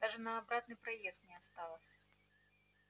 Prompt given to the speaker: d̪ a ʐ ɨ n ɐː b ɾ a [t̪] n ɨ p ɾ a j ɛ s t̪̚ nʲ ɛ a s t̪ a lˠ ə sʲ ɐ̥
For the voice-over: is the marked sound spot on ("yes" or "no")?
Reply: yes